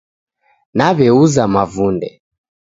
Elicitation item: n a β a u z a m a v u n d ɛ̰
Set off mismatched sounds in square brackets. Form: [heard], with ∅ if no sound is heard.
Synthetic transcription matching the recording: n a β [ɛ] u z a m a v u n d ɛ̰

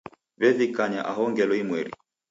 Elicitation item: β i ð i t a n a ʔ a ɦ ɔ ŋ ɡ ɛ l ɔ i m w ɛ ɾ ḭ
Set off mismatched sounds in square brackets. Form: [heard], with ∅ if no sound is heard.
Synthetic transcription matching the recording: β [ɛ] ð i [k] a [ɲ] a ʔ a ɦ ɔ ŋ ɡ ɛ l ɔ i m w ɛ ɾ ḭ

